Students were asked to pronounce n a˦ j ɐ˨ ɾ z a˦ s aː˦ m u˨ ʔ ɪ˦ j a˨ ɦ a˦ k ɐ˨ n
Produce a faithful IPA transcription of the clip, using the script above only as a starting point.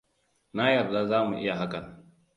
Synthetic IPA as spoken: n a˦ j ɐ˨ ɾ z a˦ z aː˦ m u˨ ʔ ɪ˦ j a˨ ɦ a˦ k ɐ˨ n